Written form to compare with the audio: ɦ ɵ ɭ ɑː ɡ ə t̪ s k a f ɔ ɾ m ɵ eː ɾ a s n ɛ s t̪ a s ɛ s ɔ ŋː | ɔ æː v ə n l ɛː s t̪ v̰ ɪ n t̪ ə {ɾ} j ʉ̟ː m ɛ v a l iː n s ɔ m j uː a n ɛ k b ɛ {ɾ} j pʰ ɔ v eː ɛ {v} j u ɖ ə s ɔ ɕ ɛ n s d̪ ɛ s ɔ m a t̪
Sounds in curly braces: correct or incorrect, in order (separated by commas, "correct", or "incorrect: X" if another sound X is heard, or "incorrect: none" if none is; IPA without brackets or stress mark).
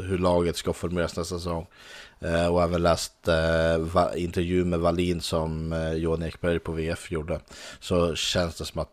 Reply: correct, correct, incorrect: f